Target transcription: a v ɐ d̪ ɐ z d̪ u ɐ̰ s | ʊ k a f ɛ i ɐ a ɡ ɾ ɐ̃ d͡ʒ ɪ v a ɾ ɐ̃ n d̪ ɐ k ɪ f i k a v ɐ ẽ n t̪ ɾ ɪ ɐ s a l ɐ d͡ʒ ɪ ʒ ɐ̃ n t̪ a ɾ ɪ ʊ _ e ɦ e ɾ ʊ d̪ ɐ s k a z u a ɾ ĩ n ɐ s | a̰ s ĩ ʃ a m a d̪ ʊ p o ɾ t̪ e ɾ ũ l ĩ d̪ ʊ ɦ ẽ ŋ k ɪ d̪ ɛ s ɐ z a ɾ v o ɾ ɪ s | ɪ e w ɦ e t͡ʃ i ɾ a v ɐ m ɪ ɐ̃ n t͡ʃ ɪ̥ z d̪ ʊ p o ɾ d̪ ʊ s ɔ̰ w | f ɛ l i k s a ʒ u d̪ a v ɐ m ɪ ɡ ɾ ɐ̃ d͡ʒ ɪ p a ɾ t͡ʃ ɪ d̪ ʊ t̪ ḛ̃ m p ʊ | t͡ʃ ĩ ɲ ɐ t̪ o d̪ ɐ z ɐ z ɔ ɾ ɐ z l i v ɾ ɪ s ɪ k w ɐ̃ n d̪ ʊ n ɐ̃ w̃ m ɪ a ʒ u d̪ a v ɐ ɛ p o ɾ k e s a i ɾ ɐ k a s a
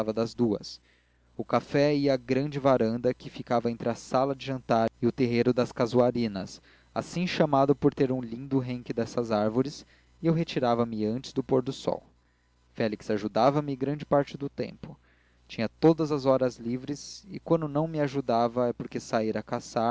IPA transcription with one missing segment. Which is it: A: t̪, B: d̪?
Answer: A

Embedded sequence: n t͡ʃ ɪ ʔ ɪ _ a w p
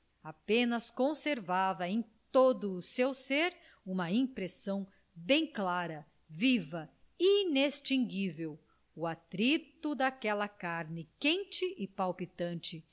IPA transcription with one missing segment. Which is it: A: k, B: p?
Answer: B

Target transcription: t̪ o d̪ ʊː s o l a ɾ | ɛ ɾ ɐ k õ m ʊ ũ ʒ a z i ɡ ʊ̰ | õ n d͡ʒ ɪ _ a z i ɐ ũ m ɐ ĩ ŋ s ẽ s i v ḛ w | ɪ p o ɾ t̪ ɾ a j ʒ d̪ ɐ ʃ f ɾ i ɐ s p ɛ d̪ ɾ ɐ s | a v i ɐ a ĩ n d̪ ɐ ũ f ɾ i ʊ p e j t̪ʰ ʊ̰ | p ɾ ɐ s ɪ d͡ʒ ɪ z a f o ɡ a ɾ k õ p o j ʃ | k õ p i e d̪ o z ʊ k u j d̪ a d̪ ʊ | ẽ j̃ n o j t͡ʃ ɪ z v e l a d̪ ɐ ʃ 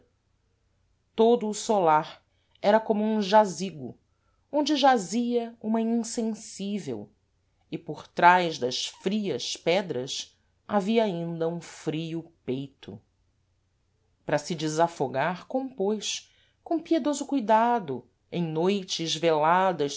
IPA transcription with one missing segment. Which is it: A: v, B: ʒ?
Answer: B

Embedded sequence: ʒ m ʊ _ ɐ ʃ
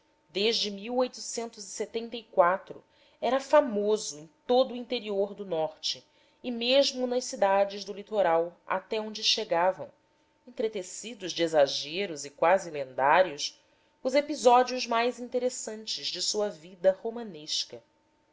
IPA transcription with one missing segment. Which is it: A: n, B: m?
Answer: A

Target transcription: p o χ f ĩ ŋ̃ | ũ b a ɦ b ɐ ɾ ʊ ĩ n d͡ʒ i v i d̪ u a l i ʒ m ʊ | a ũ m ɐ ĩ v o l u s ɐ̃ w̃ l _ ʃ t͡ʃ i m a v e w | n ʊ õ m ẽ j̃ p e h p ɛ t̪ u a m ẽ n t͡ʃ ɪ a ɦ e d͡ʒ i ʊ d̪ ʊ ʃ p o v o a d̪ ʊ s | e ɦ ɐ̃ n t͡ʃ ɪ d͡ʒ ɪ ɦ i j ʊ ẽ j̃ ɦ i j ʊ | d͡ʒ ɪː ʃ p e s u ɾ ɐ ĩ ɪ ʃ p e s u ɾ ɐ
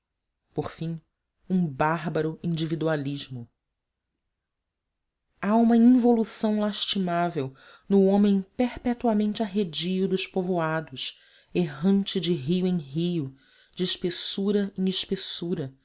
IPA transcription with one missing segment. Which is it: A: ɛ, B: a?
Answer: B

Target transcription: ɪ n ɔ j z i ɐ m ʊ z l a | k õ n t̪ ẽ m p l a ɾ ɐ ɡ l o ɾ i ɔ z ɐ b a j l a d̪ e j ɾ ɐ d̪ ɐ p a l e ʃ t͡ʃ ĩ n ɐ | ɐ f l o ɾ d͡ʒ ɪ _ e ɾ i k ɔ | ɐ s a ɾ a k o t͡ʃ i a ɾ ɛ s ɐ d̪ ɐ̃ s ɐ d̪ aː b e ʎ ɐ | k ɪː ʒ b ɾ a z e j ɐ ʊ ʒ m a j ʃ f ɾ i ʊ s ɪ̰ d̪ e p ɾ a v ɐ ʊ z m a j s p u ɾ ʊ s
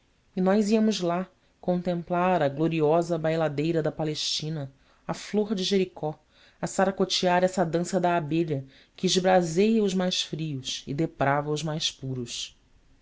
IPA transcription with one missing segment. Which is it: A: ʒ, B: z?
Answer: A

